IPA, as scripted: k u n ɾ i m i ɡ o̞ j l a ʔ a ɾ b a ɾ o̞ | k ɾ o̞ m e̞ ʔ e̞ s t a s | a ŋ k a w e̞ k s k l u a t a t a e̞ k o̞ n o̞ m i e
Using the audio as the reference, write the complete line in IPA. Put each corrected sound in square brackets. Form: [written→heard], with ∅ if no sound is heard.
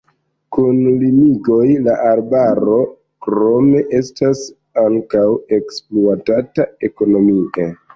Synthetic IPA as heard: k u n [ɾ→l] i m i ɡ o̞ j l a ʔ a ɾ b a ɾ o̞ | k ɾ o̞ m e̞ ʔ e̞ s t a s | a ŋ k a w e̞ k s [k→p] l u a t a t a e̞ k o̞ n o̞ m i e